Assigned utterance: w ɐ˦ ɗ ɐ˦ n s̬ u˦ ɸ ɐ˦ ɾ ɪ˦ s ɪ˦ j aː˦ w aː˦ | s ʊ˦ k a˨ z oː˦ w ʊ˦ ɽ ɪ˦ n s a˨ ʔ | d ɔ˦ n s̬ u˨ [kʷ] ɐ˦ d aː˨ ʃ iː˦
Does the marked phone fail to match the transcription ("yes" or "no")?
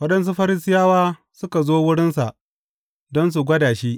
yes